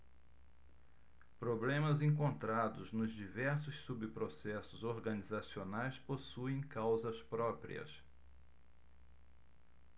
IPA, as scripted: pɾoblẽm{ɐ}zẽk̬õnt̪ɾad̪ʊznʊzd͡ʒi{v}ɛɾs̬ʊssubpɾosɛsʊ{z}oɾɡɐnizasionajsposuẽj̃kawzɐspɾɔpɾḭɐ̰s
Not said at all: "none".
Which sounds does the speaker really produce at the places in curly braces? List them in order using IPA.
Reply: ɐ, v, z

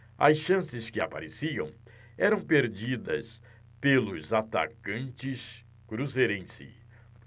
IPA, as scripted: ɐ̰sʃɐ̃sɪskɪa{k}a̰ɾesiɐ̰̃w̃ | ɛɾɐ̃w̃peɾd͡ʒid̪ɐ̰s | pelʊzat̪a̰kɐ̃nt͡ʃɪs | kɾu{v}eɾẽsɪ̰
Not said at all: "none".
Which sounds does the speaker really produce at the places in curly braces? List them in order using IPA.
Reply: p, z

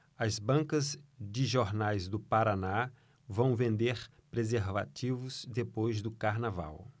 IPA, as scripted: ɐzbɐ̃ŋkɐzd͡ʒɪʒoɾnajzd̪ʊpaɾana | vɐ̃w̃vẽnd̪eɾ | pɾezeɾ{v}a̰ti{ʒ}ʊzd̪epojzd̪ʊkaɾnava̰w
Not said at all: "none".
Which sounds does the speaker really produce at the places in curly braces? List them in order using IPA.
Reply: v, v

